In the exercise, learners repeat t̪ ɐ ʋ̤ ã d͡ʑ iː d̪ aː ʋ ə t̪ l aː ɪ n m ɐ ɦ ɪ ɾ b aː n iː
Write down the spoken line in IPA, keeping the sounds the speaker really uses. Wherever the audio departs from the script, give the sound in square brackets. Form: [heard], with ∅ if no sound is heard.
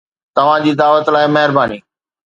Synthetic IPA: t̪ ɐ ʋ̤ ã d͡ʑ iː d̪ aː ʋ ə t̪ l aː ɪ [∅] m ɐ ɦ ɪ ɾ b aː n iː